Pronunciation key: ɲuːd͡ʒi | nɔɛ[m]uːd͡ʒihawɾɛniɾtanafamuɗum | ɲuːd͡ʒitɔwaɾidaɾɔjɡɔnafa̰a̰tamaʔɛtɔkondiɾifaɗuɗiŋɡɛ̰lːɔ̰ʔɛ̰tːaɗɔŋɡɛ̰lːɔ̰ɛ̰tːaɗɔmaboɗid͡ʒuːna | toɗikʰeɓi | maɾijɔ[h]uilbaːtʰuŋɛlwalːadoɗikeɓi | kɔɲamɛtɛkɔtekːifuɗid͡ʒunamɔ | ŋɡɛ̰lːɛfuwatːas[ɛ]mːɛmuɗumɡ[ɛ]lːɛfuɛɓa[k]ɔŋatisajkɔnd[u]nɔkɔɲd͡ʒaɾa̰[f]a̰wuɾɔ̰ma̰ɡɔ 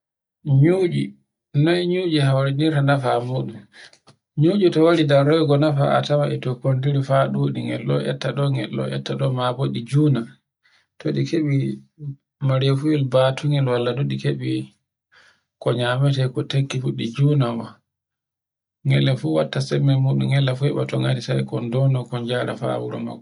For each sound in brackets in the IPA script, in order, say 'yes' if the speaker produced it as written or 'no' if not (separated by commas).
no, no, yes, yes, no, no, yes